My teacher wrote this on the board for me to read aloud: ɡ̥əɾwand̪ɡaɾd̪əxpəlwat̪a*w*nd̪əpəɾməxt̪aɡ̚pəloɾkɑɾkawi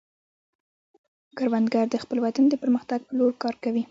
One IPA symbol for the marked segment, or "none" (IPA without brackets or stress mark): none